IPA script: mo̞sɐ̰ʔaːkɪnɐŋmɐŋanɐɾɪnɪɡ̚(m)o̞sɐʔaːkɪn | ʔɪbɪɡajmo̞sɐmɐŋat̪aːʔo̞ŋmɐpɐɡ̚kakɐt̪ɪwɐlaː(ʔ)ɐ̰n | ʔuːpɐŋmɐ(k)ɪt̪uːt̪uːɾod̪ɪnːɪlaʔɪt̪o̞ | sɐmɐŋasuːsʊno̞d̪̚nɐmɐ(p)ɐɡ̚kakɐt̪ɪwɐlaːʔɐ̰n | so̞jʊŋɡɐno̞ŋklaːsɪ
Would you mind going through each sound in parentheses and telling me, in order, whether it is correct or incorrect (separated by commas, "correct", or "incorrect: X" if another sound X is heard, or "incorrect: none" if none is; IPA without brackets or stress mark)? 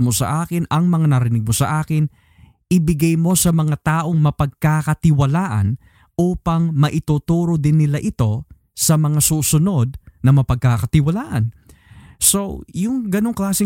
correct, correct, incorrect: ʔ, correct